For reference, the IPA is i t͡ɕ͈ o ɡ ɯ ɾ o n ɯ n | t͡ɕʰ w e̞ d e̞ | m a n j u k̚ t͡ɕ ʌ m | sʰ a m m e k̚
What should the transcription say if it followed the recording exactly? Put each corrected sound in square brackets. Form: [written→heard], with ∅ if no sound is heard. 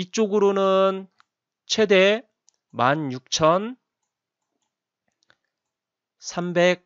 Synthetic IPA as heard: i t͡ɕ͈ o ɡ ɯ ɾ o n ɯ n | t͡ɕʰ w e̞ d e̞ | m a n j u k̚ [t͡ɕ→t͡ɕʰ] ʌ [m→n] | sʰ a m [m→b] e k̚